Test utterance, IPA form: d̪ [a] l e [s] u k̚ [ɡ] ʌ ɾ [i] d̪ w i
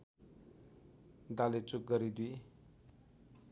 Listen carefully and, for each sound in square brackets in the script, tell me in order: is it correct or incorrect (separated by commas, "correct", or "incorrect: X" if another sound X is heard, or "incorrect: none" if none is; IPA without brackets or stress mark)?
correct, incorrect: t͡s, correct, correct